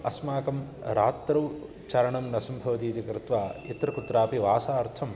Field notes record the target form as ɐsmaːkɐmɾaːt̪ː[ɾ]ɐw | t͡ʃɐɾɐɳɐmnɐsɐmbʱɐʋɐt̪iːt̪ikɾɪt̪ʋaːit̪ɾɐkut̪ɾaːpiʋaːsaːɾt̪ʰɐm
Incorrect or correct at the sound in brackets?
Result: correct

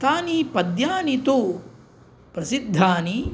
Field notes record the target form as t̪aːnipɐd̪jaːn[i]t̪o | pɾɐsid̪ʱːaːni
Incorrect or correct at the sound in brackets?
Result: correct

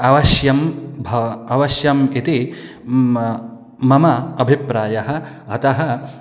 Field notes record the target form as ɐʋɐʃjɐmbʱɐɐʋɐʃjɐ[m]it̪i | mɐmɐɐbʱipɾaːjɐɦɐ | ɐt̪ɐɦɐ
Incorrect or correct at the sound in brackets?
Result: correct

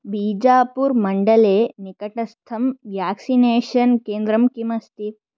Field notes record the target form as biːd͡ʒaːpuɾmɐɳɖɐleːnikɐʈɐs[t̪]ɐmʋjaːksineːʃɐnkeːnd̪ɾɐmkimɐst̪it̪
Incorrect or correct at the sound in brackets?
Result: incorrect: t̪ʰ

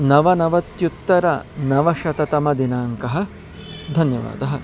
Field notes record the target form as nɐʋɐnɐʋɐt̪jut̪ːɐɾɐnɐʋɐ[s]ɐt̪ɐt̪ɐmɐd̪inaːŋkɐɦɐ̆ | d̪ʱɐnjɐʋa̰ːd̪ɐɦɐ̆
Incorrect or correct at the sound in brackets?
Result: incorrect: ʃ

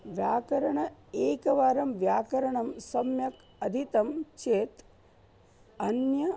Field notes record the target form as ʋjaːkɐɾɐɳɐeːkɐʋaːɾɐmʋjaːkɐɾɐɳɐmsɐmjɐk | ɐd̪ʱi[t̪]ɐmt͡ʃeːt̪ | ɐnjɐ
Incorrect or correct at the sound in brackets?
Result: correct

